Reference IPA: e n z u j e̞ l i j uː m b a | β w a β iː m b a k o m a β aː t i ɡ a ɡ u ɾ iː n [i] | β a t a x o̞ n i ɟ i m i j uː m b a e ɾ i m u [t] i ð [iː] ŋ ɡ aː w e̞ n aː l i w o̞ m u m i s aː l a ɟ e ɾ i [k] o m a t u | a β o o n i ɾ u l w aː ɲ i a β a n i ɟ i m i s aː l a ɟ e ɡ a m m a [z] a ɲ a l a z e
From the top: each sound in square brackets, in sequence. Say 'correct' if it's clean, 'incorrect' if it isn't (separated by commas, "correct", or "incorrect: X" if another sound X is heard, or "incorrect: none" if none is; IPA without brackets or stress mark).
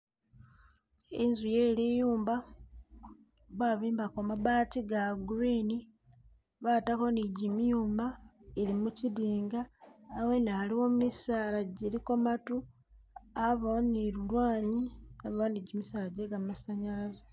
correct, incorrect: c, correct, correct, incorrect: s